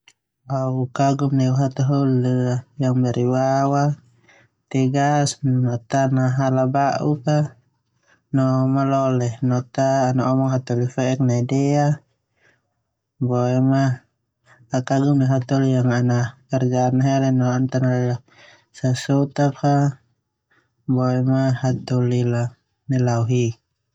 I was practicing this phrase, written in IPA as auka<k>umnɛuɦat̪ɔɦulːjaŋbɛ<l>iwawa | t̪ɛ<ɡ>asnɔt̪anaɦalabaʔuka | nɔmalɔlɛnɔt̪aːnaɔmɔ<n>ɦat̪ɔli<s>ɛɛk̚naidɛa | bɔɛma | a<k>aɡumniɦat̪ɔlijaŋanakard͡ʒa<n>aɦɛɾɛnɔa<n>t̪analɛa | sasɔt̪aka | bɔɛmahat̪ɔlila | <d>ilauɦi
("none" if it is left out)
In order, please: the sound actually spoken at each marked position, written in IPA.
ɡ, ɾ, ɡ, ŋ, f, k, n, n, n

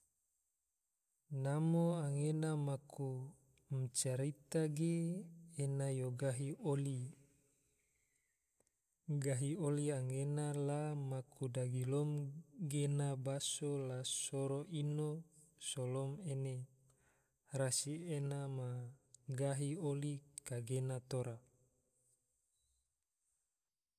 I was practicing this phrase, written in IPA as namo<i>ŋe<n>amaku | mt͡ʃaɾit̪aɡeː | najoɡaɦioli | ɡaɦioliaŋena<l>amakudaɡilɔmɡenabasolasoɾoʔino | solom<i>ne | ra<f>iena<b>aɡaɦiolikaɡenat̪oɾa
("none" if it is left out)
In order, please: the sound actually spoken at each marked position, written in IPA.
a, n, l, e, s, m

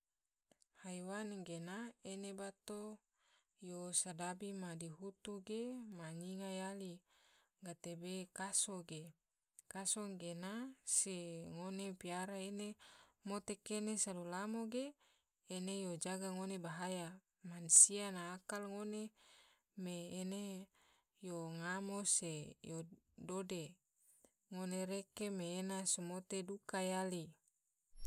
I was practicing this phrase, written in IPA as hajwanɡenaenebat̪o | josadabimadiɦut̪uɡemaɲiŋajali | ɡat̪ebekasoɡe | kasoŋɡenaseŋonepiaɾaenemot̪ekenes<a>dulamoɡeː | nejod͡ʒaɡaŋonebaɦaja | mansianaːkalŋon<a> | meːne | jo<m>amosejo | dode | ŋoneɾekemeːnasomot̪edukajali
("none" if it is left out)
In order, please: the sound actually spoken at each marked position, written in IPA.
a, e, ŋ

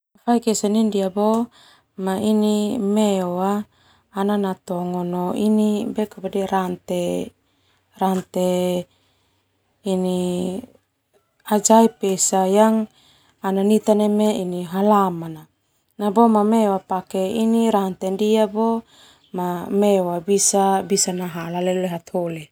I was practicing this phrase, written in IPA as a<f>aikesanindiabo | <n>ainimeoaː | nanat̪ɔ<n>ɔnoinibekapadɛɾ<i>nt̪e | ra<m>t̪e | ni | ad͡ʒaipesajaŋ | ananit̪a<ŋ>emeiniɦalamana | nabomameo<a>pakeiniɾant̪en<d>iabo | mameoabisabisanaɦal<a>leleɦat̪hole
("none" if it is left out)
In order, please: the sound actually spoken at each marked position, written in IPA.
f, m, ŋ, a, n, n, a, d, a

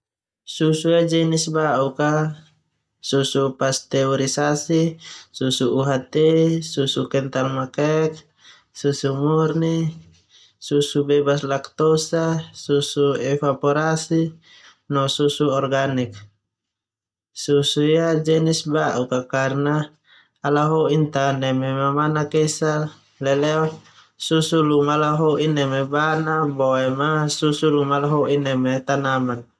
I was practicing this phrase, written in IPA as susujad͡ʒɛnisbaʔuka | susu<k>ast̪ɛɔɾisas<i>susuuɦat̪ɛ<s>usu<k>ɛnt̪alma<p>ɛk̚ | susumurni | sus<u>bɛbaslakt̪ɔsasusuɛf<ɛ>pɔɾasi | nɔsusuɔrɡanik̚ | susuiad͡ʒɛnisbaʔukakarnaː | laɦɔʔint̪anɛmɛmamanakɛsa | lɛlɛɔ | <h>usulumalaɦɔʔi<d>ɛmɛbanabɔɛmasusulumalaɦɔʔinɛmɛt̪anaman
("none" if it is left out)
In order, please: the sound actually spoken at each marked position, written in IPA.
p, i, s, k, k, u, a, s, n

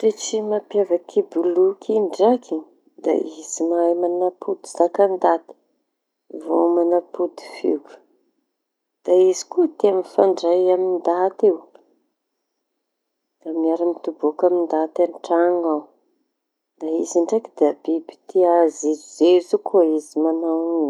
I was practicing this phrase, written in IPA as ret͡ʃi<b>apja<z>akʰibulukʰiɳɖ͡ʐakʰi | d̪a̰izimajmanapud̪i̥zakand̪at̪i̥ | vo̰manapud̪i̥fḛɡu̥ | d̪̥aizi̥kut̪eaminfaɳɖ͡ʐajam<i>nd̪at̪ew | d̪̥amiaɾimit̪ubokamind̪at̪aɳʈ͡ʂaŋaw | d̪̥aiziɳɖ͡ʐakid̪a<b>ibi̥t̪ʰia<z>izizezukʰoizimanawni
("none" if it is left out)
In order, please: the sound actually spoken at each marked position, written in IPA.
m, v, i, b, z

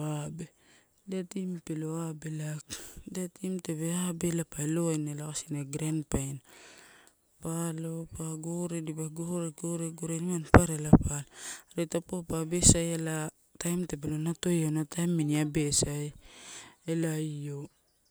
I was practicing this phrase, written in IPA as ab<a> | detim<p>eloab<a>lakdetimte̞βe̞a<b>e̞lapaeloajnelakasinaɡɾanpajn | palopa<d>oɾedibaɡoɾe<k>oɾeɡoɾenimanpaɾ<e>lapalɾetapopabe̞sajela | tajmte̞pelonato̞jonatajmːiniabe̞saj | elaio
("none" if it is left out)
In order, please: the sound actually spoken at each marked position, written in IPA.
e, p, e, b, ɡ, ɡ, e

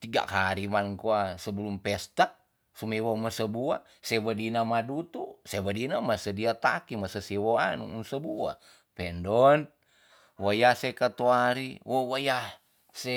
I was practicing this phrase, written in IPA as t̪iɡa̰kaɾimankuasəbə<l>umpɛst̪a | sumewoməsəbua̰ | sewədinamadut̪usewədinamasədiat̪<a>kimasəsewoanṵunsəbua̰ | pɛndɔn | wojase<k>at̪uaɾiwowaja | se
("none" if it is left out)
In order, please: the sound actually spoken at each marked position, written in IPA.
l, a, k

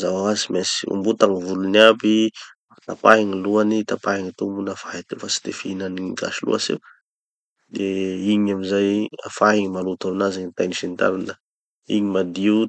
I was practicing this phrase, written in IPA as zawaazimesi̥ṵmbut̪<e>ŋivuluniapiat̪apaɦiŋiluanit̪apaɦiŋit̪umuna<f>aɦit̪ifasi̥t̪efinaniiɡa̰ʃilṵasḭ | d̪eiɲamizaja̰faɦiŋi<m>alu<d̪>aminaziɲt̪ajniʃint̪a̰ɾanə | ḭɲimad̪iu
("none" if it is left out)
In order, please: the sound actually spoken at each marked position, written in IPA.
a, f, m, t̪

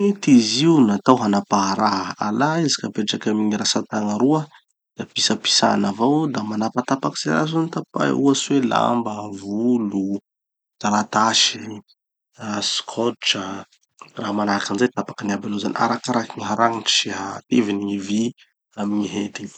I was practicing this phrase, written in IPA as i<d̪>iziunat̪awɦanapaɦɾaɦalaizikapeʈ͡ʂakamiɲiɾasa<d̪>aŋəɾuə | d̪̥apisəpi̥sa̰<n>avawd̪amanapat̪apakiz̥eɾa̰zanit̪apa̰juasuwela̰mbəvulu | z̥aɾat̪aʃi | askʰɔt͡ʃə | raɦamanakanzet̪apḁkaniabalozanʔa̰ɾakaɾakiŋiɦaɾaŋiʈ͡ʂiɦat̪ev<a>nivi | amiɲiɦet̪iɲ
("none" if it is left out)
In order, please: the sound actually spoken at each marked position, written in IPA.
t̪, t̪, n, i

